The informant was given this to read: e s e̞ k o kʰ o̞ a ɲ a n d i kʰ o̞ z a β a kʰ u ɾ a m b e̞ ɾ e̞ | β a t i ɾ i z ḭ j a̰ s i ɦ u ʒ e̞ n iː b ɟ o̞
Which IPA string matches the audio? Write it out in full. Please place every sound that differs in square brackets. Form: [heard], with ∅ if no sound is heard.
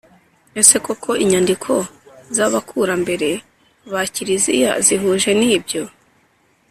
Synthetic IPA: e s e̞ k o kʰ o̞ [i] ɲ a n d i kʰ o̞ z a β a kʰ u ɾ a m b e̞ ɾ e̞ | β a [c] i ɾ i z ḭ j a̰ [z] i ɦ u ʒ e̞ n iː b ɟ o̞

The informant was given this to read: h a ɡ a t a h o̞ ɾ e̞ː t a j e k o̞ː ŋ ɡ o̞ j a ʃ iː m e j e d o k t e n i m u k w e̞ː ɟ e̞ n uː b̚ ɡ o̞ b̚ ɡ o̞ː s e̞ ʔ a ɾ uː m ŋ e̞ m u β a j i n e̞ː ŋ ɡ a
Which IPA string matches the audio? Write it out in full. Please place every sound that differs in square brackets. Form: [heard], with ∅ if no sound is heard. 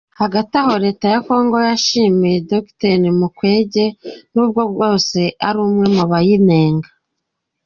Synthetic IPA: h a ɡ a t a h o̞ ɾ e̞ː t a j [a] k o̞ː ŋ ɡ o̞ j a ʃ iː m [i] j e d o k t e n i m u k w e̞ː ɟ e̞ n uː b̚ ɡ o̞ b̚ ɡ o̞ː s e̞ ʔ a ɾ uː m ŋ e̞ m u β a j i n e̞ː ŋ ɡ a

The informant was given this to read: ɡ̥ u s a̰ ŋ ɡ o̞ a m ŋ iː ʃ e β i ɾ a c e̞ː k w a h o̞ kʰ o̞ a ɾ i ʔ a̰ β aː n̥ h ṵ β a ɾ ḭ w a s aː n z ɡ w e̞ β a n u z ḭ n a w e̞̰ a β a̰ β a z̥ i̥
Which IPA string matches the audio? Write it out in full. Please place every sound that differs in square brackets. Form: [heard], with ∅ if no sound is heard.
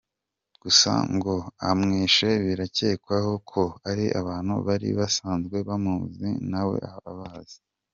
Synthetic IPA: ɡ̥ u s a̰ ŋ ɡ o̞ a m ŋ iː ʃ e β i ɾ a c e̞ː k w a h o̞ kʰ o̞ a ɾ i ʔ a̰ β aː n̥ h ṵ β a ɾ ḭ [β] a s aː n z ɡ w e̞ β a [m] u z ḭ n a w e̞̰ a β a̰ β a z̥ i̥

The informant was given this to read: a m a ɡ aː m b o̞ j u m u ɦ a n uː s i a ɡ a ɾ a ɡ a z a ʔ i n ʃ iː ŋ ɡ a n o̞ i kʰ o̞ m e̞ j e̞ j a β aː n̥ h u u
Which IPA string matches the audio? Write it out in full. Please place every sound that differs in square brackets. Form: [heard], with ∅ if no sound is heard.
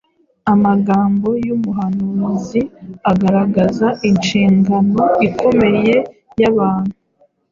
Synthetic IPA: a m a ɡ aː m b o̞ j u m u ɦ a n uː [z] i a ɡ a ɾ a ɡ a z a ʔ i n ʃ iː ŋ ɡ a n o̞ i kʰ o̞ m e̞ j e̞ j a β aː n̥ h u u

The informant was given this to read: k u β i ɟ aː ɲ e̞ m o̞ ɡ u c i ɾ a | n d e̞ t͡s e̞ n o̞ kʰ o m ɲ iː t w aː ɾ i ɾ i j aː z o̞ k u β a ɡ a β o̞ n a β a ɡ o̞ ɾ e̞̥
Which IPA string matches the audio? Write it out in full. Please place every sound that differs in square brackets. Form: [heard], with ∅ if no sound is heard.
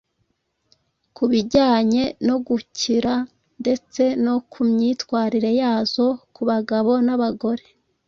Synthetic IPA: k u β i ɟ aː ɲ e̞ [n] o̞ ɡ u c i ɾ a | n d e̞ t͡s e̞ n o̞ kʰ [u] m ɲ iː t w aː ɾ i ɾ [e] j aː z o̞ k u β a ɡ a β o̞ n a β a ɡ o̞ ɾ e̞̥

